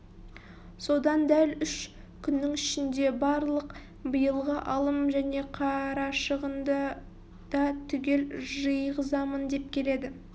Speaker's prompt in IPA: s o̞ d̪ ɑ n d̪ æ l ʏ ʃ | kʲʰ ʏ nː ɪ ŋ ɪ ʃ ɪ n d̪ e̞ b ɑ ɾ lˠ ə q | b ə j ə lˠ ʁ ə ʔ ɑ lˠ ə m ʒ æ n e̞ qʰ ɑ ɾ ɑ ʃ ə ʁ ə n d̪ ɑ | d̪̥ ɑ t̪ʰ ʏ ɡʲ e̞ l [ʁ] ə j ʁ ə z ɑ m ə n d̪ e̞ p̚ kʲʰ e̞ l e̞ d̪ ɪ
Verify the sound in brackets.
incorrect: ʒ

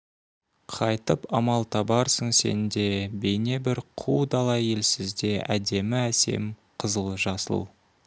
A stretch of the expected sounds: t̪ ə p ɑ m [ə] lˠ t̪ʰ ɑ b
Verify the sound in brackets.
incorrect: ɑ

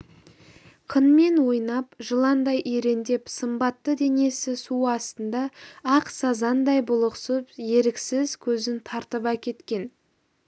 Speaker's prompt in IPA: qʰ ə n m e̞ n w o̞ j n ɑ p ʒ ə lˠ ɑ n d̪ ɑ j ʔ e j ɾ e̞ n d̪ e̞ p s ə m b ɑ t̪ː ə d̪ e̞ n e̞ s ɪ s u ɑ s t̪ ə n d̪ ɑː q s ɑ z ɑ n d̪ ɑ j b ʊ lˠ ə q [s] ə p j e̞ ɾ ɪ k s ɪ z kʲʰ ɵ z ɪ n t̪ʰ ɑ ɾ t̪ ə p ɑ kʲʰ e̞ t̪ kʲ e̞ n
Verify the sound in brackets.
correct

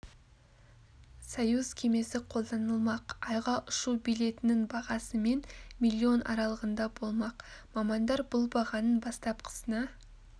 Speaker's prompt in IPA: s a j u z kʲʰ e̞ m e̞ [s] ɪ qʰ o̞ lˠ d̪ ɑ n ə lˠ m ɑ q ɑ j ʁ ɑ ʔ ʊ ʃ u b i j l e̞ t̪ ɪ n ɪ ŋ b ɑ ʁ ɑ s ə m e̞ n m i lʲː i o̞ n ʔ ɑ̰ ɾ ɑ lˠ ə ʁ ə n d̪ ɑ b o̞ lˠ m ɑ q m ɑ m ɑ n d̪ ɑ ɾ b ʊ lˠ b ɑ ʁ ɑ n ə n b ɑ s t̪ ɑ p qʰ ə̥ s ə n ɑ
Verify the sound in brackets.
correct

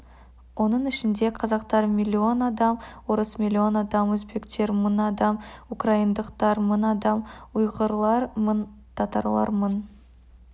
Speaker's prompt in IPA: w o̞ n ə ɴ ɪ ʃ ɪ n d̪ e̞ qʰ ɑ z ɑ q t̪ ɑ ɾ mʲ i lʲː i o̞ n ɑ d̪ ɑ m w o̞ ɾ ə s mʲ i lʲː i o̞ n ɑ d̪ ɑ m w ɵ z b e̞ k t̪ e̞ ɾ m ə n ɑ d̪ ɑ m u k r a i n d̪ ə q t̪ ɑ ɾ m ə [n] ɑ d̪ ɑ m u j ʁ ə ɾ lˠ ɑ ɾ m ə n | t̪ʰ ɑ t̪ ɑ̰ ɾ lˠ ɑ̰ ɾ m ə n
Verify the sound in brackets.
correct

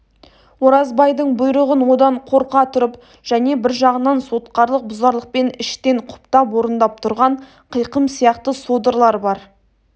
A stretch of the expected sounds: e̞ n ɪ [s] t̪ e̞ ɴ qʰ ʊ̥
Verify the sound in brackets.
incorrect: ʃ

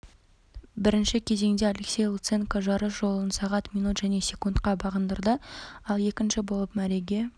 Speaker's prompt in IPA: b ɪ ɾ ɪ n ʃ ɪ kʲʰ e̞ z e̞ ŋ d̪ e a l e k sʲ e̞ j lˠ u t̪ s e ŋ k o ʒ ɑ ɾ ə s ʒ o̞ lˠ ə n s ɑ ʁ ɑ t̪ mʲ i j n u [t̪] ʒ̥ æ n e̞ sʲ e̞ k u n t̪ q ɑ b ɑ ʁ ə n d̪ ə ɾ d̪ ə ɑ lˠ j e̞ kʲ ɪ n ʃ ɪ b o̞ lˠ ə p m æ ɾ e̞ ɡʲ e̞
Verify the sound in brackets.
correct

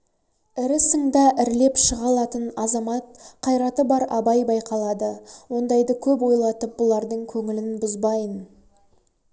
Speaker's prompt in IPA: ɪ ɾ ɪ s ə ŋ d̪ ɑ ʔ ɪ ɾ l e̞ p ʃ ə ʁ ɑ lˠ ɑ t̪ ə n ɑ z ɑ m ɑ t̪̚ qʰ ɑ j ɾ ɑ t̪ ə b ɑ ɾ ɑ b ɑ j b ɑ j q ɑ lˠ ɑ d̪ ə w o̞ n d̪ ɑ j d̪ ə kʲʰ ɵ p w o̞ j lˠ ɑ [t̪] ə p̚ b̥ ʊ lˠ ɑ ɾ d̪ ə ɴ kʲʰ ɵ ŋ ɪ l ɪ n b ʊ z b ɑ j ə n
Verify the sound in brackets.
correct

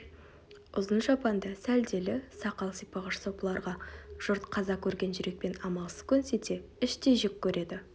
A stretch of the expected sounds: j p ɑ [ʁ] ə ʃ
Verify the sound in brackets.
correct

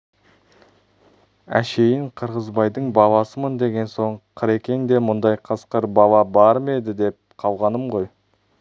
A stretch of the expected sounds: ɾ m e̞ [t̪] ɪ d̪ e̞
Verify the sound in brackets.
incorrect: d̪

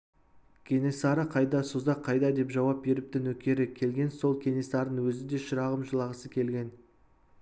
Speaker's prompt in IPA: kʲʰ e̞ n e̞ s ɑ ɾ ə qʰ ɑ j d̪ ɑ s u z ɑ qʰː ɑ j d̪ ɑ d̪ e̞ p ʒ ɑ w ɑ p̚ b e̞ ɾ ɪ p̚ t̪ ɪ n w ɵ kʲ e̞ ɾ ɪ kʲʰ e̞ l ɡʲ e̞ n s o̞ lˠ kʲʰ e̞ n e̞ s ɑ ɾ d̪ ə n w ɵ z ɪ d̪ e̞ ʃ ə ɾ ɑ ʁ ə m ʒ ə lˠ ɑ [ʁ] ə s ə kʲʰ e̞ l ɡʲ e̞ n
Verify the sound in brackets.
correct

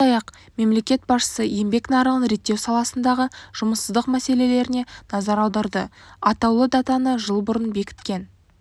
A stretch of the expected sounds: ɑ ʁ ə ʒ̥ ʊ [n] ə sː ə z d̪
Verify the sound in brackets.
incorrect: m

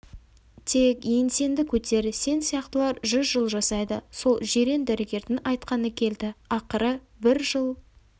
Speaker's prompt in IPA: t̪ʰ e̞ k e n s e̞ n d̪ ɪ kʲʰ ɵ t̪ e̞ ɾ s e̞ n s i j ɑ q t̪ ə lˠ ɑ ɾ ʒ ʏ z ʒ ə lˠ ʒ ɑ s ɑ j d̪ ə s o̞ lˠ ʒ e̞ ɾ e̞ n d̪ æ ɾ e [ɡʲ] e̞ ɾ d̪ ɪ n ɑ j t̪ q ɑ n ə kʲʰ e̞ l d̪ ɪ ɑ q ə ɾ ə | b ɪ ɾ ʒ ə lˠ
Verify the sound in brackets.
correct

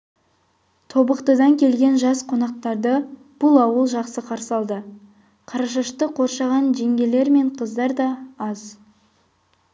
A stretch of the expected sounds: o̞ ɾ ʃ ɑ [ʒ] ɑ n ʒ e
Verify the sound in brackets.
incorrect: ʁ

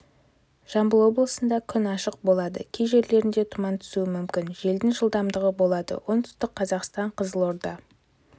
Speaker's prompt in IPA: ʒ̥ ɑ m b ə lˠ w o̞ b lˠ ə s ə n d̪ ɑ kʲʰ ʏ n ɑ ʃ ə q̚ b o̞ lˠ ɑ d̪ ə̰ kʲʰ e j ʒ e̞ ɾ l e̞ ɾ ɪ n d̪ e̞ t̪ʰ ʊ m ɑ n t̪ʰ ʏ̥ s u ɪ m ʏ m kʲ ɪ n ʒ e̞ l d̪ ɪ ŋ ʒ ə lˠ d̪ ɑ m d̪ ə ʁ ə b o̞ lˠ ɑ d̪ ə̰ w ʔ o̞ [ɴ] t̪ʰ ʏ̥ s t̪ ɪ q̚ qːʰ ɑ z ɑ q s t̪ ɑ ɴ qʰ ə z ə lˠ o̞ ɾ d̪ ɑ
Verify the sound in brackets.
incorrect: n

